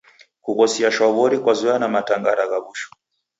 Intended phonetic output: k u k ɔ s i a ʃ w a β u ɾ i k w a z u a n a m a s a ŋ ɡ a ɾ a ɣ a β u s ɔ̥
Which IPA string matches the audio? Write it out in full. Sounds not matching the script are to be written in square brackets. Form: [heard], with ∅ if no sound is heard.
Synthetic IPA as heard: k u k ɔ s i a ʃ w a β [ɔ] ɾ i k w a z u a n a m a [t] a ŋ ɡ a ɾ a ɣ a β u [ʃ] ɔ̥